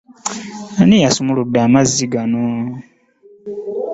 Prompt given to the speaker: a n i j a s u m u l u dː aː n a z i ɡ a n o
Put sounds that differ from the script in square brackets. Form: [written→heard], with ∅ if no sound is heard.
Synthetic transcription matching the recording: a n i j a s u m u l u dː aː [n→m] a z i ɡ a n o